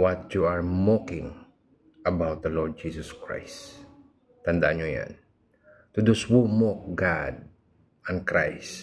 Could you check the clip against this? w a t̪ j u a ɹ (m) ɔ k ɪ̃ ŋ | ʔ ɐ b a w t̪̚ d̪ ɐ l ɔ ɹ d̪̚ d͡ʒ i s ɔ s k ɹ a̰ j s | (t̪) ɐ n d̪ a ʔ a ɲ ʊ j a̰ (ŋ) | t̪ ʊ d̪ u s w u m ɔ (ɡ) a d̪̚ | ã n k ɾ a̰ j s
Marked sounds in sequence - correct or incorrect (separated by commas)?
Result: correct, correct, incorrect, correct